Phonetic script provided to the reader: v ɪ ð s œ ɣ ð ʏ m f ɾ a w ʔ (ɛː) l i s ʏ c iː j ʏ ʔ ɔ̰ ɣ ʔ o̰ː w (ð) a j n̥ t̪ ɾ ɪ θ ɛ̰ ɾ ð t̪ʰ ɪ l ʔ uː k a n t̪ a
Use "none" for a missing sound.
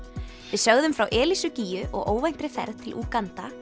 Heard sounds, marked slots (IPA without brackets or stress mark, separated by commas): ɛː, v